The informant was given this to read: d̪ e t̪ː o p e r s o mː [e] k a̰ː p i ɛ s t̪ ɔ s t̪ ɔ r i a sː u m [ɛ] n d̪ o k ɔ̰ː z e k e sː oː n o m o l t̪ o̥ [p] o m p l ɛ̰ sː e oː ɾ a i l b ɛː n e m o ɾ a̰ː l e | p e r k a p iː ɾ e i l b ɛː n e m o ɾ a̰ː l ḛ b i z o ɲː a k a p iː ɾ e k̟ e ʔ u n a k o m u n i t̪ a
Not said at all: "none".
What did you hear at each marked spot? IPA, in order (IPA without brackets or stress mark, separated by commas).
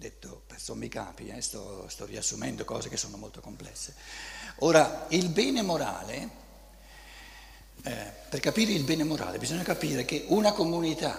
i, ɛ, k